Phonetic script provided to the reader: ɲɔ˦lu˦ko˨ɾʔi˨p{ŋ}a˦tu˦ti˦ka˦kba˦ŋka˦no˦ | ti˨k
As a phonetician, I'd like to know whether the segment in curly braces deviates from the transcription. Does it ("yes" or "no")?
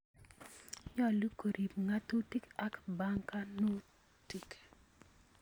no